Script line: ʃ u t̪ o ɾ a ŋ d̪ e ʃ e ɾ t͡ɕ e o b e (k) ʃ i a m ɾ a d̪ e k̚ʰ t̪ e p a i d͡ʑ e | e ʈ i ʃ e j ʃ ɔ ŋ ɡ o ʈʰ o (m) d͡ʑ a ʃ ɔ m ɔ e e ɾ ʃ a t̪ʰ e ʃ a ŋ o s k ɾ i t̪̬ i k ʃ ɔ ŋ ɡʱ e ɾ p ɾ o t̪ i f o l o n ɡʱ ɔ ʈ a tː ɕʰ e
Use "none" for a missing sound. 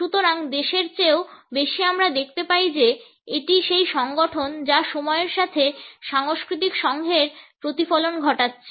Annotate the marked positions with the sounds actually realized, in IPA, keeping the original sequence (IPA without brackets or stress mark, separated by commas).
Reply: none, n